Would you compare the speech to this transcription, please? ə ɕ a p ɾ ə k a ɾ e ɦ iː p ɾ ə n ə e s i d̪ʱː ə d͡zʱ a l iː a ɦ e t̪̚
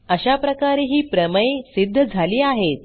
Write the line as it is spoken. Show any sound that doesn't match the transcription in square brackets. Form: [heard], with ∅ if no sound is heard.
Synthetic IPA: ə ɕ a p ɾ ə k a ɾ e ɦ iː p ɾ ə [m] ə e s i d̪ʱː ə d͡zʱ a l iː a ɦ e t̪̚